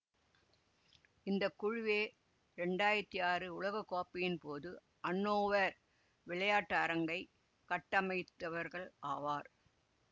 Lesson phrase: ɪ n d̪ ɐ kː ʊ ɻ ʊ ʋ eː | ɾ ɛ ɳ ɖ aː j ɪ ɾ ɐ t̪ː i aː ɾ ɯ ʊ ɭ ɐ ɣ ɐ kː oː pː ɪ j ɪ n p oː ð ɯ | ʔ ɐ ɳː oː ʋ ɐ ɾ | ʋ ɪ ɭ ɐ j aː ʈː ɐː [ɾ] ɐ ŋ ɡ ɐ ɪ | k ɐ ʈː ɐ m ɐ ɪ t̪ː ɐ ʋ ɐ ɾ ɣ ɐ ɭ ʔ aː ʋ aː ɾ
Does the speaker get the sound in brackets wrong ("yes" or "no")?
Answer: no